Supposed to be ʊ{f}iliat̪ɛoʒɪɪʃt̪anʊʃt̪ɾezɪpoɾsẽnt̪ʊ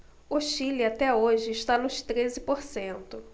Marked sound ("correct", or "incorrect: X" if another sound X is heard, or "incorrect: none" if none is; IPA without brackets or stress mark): incorrect: ʃ